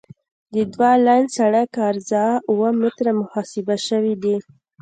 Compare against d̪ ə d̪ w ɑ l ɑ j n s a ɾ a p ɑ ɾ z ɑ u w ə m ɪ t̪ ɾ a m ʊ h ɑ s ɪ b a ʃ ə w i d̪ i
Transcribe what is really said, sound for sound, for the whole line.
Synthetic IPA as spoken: d̪ ə d̪ w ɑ l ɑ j n s a ɽ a k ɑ ɾ z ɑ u w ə m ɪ t̪ ɾ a m ʊ h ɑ s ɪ b a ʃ ə w i d̪ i